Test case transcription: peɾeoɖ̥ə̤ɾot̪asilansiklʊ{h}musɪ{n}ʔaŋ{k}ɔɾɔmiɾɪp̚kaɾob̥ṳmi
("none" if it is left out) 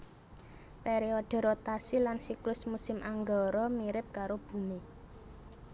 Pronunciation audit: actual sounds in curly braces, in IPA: s, m, ɡ

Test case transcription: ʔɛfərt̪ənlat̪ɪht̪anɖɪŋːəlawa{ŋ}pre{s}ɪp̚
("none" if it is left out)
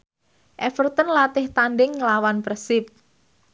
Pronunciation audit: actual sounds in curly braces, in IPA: n, s

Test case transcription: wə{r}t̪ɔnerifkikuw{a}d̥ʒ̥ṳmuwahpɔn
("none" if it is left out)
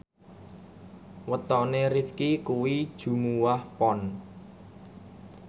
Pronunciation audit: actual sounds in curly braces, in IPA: none, i

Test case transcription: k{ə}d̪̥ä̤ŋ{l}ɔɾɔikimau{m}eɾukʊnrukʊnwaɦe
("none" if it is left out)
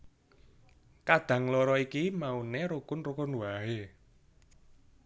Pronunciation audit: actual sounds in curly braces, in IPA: a, l, n

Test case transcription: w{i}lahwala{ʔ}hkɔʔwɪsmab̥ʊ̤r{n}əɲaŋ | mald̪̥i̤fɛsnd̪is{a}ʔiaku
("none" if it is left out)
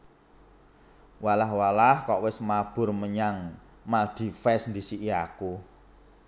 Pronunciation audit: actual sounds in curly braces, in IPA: a, none, m, i

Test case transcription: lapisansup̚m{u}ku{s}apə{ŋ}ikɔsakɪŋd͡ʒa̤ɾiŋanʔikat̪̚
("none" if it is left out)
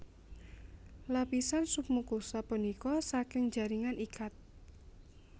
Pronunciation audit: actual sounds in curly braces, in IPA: u, s, n

